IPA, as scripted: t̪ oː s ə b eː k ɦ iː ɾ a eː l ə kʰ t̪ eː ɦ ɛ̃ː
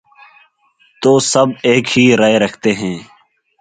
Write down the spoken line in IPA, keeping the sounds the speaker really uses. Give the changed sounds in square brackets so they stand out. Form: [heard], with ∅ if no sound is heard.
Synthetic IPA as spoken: t̪ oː s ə b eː k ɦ iː ɾ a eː [ɾ] ə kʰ t̪ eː ɦ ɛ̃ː